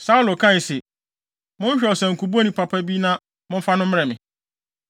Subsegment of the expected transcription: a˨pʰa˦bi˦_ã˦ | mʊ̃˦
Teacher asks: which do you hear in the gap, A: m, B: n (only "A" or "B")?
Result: B